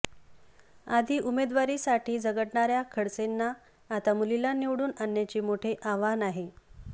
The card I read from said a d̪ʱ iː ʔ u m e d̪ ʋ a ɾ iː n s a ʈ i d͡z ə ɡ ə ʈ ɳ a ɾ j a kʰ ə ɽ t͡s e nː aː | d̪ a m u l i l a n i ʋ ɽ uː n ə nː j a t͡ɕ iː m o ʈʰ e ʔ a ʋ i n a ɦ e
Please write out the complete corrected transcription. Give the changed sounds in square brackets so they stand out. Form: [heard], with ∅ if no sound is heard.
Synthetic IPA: a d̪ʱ iː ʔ u m e d̪ ʋ a ɾ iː [∅] s a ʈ [iː] d͡z ə ɡ ə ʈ ɳ a ɾ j a kʰ ə ɽ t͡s e nː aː | [t̪] a m u l i l a n i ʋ ɽ uː n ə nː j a t͡ɕ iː m o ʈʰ e ʔ a ʋ [a] n a ɦ e